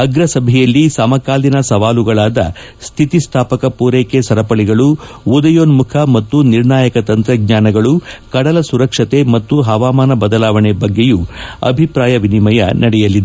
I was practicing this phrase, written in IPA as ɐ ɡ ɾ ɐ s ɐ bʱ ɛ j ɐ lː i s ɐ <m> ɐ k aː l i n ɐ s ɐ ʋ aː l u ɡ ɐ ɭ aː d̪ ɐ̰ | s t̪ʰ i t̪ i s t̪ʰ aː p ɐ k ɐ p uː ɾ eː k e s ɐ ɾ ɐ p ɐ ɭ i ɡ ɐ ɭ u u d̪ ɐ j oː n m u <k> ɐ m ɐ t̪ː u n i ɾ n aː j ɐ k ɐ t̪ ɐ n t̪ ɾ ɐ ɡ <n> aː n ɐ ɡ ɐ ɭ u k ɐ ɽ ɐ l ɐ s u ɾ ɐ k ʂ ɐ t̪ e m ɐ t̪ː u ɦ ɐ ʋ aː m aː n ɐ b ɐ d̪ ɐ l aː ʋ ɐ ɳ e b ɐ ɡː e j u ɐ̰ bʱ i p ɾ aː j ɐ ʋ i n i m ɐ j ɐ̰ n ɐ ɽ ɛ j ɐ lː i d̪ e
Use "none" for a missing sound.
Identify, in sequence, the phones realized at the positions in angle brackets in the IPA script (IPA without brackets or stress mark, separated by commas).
m, kʰ, ɲ